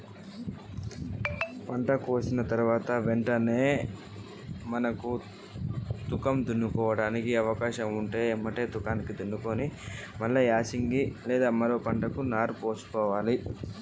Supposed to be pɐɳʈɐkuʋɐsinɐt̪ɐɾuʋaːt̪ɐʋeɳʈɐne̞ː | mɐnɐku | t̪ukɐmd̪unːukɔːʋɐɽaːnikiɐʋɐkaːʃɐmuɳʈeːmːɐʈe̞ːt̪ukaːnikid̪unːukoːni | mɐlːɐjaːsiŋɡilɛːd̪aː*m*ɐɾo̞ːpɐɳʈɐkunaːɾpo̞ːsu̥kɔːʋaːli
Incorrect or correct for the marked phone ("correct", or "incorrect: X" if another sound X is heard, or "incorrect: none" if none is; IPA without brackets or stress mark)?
correct